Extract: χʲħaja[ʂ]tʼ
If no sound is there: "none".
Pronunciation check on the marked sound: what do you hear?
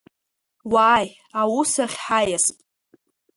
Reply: s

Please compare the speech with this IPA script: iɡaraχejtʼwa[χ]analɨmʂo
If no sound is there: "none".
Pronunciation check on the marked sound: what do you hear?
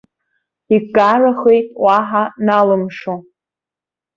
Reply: ħ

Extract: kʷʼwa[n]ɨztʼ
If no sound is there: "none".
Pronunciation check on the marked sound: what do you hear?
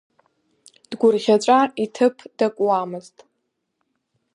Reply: m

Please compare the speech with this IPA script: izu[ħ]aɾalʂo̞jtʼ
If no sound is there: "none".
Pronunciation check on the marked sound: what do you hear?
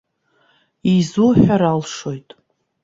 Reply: ħ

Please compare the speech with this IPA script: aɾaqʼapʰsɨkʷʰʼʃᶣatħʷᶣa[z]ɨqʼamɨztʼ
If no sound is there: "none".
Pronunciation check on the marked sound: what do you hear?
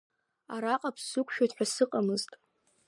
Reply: s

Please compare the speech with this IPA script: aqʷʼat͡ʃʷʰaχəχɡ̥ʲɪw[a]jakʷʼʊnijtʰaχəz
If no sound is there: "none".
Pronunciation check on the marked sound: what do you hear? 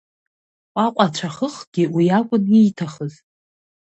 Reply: i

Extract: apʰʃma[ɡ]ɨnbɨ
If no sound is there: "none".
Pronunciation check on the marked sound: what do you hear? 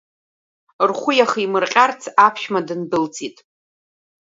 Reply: d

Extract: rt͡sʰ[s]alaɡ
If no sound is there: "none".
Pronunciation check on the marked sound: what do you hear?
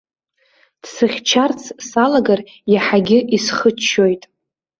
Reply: s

